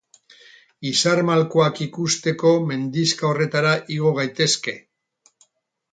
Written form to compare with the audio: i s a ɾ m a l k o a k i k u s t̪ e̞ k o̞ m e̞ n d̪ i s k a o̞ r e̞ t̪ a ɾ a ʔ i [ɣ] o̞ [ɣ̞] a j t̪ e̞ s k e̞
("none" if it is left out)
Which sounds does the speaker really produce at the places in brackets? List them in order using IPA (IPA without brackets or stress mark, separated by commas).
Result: ɣ, ɣ̞